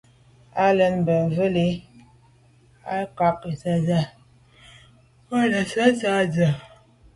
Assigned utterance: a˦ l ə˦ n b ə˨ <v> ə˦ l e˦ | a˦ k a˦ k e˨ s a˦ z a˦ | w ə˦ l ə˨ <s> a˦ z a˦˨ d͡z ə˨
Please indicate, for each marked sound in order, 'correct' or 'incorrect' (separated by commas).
correct, correct